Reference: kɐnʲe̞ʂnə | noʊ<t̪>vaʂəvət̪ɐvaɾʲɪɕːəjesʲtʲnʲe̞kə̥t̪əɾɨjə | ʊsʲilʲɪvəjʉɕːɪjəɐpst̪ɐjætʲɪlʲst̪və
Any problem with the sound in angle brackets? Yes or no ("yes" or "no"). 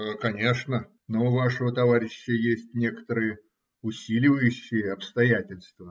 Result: yes